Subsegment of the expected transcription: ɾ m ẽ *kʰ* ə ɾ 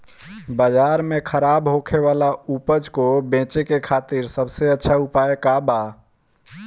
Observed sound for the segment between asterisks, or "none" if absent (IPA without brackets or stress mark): kʰ